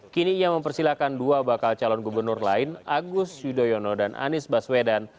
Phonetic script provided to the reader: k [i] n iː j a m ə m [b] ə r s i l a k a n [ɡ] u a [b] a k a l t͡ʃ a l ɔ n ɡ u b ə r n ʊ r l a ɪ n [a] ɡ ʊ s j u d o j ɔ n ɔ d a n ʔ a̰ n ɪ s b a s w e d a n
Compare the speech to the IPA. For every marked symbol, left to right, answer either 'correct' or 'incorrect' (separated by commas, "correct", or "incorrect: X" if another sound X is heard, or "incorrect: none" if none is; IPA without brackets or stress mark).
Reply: correct, incorrect: p, incorrect: d, correct, correct